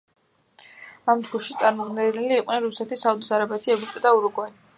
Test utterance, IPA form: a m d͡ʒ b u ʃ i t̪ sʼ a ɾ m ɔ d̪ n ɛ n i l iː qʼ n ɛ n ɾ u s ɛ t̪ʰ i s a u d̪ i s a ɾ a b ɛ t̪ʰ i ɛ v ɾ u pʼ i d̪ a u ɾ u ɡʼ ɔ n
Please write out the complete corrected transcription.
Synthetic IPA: a m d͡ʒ ɡ u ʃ i t̪ sʼ a ɾ m ɔ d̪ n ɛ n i l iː qʼ n ɛ n ɾ u s ɛ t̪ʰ i s a u d̪ i s a ɾ a b ɛ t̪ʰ i ɛ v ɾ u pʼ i d̪ a u ɾ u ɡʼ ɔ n